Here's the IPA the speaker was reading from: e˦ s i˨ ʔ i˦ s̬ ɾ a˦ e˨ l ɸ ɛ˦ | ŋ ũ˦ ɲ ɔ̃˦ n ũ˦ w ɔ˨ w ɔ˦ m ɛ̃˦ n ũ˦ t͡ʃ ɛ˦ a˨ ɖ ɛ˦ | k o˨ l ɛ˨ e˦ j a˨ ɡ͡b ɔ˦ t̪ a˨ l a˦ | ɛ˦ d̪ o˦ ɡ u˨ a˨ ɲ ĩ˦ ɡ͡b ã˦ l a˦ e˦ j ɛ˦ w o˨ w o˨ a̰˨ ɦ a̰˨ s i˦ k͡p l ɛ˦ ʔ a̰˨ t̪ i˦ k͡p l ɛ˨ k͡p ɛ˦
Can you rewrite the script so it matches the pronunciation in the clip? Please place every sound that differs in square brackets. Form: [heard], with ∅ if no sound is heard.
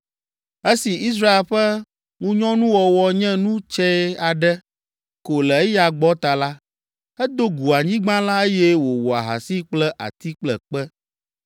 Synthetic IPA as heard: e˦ s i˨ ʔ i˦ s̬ ɾ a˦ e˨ l ɸ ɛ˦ | ŋ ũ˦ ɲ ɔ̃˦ n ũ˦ w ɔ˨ w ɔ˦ [ɲ] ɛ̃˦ n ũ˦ t͡ʃ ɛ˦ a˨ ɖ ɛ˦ | k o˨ l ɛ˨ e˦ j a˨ ɡ͡b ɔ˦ t̪ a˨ l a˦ | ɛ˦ d̪ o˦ ɡ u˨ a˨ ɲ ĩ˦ ɡ͡b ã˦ l a˦ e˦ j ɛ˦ w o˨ w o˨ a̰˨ ɦ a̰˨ s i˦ k͡p l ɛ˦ ʔ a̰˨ t̪ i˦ k͡p l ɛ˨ k͡p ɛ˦

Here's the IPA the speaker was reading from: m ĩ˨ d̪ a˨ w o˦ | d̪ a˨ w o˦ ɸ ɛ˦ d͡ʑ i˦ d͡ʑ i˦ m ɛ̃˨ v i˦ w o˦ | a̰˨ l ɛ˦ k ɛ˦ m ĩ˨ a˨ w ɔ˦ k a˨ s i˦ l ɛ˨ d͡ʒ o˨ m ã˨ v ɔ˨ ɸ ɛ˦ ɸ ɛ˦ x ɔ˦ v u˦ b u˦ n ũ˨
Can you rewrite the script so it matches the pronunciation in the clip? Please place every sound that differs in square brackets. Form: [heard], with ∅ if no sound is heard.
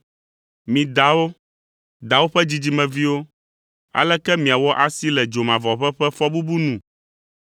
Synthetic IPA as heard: m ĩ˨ d̪ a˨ w o˦ | d̪ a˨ w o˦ ɸ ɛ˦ d͡ʑ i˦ d͡ʑ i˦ m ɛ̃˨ v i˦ w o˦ | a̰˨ l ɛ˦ k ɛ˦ m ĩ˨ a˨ w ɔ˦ [ʔ] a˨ s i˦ l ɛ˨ d͡ʒ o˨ m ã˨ v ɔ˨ ɸ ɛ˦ ɸ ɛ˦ [f] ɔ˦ [b] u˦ b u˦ n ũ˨

